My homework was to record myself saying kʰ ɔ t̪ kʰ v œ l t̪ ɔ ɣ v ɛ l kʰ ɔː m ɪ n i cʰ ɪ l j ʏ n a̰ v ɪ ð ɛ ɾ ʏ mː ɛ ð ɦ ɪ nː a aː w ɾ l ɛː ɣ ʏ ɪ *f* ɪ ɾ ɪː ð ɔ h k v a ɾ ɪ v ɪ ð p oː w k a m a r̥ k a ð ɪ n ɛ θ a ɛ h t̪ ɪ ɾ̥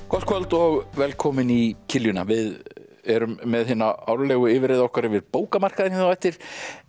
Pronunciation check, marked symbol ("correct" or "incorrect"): incorrect